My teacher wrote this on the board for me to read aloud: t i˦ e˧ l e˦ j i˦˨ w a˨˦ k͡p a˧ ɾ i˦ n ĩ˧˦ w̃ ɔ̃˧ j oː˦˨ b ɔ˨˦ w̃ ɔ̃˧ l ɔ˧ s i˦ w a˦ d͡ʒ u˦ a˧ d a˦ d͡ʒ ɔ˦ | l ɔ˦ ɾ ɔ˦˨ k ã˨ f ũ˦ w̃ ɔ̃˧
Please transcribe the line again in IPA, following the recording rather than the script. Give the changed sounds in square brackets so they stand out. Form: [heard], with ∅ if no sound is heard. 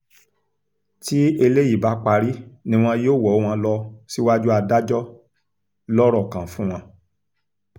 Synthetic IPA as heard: t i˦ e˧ l e˦ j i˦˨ [b] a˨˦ k͡p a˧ ɾ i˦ n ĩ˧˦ w̃ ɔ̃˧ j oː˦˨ [w] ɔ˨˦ w̃ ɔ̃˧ l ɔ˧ s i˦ w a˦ d͡ʒ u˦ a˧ d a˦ d͡ʒ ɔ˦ | l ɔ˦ ɾ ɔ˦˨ k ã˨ f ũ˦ w̃ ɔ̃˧